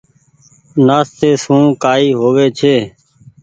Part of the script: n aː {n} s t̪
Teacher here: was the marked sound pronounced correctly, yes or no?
no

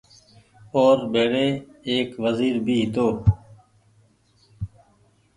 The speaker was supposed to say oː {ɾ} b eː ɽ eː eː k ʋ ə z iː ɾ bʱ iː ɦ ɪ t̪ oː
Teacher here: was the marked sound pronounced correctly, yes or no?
yes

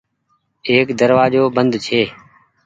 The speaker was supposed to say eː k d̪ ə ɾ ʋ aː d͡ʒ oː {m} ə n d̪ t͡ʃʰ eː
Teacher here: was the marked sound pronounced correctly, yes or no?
no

